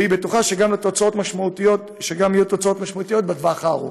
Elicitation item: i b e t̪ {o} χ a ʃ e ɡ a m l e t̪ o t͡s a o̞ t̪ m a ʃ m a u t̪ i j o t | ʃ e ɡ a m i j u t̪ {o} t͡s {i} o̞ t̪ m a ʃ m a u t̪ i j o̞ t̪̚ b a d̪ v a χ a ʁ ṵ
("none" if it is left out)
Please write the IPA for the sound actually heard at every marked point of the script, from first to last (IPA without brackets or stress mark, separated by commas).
u, o, a